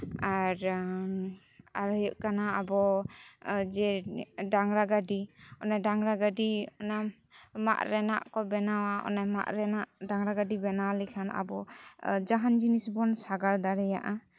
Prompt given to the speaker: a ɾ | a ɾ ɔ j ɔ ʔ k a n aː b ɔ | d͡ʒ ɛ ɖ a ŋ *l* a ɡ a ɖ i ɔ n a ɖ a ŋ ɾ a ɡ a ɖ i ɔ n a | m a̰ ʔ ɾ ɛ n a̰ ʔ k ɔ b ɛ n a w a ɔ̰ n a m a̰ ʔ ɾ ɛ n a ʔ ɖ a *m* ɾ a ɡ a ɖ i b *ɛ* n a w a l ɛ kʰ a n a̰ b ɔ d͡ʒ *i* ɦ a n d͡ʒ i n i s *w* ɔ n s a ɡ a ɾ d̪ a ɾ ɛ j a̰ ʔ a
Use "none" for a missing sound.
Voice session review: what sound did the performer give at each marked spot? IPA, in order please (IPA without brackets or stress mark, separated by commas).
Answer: ɾ, ŋ, ɛ, a, b